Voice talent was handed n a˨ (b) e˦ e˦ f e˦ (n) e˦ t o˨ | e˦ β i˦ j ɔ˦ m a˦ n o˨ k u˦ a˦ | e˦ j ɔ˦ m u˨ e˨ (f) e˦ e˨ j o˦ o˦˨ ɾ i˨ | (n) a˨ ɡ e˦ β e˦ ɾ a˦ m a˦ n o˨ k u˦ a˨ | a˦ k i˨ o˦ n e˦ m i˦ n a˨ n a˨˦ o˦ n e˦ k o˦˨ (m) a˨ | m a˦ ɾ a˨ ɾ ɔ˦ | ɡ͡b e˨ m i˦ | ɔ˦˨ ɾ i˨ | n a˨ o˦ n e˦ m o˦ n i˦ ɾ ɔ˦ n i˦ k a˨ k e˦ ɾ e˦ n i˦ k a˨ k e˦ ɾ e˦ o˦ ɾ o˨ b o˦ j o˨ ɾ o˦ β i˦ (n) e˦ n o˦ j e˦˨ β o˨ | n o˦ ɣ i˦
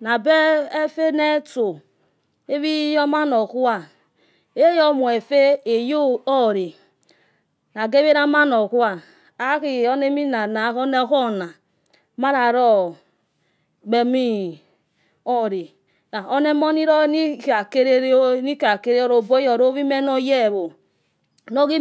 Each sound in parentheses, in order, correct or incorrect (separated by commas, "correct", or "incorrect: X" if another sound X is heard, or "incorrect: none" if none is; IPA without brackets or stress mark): correct, correct, correct, correct, incorrect: n, incorrect: m